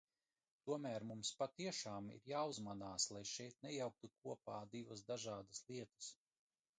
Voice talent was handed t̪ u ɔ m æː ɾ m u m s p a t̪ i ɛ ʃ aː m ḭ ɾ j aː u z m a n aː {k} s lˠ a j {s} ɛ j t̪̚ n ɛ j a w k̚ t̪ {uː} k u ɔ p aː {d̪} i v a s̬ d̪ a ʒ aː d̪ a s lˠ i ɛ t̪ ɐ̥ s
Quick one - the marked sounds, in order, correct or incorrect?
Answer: incorrect: none, incorrect: ʃ, incorrect: u, correct

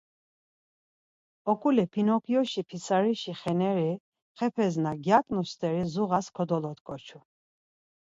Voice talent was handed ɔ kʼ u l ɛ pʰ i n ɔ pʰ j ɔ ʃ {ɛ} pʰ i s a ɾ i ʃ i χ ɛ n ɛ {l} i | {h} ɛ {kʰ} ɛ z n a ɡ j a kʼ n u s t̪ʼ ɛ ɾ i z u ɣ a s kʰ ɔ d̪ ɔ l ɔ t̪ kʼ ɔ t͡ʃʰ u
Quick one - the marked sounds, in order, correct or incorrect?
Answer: incorrect: i, incorrect: ɾ, incorrect: χ, incorrect: pʰ

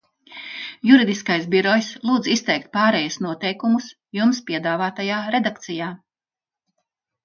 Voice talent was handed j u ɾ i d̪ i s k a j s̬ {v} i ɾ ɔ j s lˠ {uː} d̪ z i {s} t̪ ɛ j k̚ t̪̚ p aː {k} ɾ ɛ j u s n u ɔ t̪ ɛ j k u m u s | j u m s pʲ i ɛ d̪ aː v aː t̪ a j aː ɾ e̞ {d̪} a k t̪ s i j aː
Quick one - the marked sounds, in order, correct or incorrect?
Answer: incorrect: b, correct, correct, incorrect: none, correct

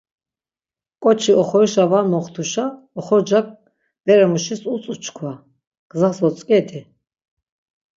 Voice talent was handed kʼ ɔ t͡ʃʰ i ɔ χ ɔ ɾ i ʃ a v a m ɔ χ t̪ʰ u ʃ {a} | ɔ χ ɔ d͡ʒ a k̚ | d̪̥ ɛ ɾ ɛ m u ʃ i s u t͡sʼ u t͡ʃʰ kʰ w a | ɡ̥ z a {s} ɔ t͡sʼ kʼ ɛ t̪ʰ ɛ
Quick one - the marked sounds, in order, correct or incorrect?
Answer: correct, correct

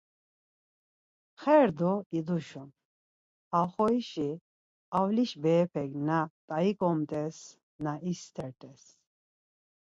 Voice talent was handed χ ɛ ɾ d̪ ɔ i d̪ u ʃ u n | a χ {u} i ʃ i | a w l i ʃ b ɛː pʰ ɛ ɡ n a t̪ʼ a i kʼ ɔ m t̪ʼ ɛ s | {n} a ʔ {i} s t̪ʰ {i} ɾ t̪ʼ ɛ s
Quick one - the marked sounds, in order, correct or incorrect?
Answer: incorrect: ɔ, correct, correct, incorrect: ɛ

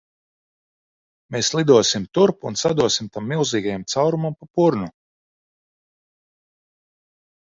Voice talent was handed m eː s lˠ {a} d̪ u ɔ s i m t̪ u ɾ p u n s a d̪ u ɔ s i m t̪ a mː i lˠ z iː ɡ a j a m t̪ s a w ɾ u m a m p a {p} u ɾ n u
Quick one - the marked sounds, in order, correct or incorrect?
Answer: incorrect: i, correct

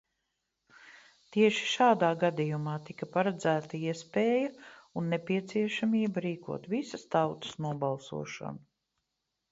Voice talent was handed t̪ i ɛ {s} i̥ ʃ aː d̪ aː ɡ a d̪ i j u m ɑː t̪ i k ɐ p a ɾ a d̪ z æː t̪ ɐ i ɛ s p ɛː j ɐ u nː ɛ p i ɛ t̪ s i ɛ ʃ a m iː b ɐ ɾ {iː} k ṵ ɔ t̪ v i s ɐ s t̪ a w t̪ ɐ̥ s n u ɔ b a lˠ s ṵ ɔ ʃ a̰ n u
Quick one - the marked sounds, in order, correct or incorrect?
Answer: incorrect: ʃ, correct

